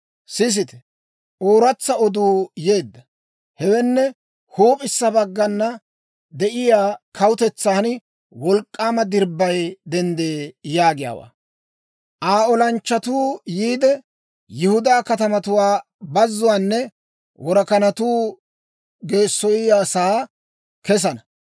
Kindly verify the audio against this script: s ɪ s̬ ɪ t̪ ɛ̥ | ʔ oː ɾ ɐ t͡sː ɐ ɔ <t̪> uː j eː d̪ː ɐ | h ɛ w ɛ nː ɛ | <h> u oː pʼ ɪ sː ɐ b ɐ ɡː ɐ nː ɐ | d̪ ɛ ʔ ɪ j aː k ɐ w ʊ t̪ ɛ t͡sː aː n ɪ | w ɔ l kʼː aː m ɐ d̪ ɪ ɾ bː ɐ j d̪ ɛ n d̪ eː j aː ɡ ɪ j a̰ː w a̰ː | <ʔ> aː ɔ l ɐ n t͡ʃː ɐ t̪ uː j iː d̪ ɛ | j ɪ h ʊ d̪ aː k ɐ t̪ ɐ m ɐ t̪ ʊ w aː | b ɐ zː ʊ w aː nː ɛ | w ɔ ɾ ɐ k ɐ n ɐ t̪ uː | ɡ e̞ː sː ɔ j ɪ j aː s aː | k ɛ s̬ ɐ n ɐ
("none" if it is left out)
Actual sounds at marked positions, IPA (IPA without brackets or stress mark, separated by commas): d̪, h, ʔ